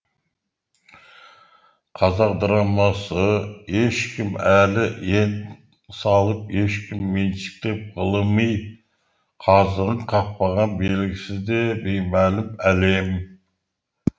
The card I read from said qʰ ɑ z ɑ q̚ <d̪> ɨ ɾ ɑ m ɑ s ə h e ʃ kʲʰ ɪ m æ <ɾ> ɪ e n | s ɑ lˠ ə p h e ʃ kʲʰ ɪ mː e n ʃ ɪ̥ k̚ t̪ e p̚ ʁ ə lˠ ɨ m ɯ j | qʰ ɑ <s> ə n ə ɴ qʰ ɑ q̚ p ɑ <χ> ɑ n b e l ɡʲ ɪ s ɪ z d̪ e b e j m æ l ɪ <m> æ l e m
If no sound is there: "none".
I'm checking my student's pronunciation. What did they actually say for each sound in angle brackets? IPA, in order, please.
d̪, l, z, ʁ, m

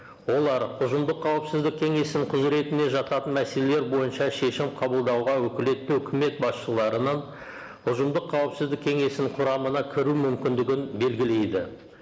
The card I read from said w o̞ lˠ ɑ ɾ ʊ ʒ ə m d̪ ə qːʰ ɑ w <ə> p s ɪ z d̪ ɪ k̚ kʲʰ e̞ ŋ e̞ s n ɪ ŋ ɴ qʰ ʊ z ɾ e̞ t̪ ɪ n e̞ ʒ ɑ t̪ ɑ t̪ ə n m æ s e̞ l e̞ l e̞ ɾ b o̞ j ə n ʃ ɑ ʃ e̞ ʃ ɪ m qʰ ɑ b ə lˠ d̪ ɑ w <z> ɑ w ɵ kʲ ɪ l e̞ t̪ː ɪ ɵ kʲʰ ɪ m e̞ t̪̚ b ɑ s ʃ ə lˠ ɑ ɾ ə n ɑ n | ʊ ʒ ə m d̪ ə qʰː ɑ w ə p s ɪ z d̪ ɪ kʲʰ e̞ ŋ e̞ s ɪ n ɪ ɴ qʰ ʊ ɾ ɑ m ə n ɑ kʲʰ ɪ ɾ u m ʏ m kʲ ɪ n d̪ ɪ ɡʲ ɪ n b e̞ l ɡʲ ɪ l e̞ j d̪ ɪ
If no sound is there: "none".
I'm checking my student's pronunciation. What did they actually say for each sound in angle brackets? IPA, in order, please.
ə, ʁ

